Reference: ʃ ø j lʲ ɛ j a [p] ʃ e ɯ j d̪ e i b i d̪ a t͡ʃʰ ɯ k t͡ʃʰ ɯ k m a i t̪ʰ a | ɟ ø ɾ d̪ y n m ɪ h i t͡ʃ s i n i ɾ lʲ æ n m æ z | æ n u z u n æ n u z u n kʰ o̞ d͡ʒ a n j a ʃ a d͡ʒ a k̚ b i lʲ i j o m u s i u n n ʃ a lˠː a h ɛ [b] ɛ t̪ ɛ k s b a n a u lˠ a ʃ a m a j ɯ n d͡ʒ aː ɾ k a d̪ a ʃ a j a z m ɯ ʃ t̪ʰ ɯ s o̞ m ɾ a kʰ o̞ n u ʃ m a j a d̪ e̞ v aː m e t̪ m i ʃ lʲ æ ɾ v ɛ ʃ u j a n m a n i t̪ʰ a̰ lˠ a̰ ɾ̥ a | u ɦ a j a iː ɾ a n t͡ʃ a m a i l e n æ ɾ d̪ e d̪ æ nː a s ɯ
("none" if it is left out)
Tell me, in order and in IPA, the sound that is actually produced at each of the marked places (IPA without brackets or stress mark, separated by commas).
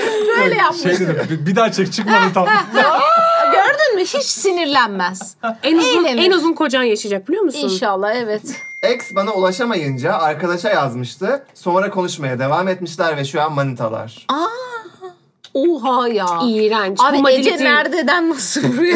p, v